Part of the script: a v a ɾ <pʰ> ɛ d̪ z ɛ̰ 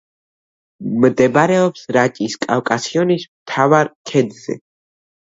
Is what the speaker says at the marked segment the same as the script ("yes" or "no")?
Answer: no